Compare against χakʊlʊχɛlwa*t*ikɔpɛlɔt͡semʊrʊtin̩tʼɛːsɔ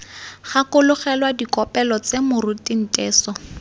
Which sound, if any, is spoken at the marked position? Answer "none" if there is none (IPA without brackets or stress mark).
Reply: d